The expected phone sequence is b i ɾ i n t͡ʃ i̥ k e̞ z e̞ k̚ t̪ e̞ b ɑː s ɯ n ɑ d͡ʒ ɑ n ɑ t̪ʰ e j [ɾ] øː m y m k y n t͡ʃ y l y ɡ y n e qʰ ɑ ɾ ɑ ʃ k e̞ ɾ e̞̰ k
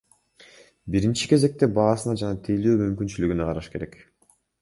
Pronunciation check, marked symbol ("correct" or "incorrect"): incorrect